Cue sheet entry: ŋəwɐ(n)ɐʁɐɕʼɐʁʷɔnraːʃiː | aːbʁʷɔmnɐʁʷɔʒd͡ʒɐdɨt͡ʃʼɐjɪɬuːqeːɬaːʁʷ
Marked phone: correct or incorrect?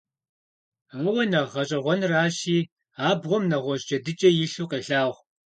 correct